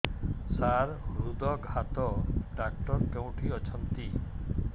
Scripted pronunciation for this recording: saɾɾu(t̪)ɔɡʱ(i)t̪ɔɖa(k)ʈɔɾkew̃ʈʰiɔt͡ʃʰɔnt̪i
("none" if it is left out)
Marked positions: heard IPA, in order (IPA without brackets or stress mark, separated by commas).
d̪, a, k